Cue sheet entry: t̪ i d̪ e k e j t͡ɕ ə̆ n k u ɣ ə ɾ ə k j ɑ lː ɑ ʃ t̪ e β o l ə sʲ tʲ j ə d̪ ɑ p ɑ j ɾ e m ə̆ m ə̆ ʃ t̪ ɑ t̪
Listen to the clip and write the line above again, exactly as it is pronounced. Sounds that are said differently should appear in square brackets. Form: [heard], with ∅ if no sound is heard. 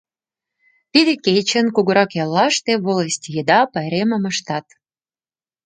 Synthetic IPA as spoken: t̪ i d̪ e k e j t͡ɕ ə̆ n k u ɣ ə ɾ [ɑ] k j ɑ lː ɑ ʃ t̪ e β o l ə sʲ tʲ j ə d̪ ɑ p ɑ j ɾ e m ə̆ m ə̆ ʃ t̪ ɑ t̪